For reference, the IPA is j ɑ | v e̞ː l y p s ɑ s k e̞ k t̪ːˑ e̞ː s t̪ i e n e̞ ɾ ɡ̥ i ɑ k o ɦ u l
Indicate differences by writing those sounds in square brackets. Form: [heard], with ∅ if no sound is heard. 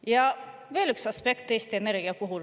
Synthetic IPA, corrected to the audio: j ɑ | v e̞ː l y [k] s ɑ s [p] e̞ k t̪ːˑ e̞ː s t̪ i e n e̞ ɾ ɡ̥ i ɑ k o ɦ u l